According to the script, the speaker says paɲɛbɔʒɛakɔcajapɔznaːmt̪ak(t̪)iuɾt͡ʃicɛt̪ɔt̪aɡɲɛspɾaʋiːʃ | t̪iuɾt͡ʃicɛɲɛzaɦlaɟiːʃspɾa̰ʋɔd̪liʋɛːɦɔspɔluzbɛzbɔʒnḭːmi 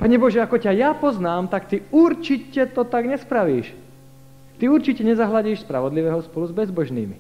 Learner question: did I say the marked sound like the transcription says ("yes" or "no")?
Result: yes